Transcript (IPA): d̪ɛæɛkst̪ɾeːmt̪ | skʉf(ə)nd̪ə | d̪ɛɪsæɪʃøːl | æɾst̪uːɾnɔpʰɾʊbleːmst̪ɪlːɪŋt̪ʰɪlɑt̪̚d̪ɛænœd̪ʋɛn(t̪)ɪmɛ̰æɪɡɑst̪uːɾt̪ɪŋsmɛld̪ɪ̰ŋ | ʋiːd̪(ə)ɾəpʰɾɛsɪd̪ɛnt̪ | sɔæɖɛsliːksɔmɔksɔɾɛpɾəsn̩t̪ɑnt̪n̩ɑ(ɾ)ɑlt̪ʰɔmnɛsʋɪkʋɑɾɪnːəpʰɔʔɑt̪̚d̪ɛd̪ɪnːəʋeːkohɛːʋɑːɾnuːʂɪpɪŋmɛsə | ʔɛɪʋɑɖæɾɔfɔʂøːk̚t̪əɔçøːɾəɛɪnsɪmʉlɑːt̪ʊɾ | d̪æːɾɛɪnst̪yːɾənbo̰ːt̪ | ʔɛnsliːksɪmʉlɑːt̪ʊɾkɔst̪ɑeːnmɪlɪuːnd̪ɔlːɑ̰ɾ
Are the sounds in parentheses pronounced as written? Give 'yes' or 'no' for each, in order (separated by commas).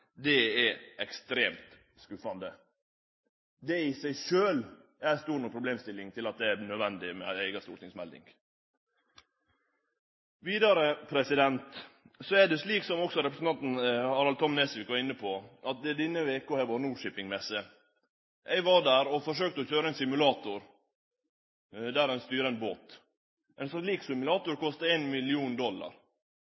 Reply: no, no, no, yes